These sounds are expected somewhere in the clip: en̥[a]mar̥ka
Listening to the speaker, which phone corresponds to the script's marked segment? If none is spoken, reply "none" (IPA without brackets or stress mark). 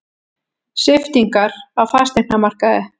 a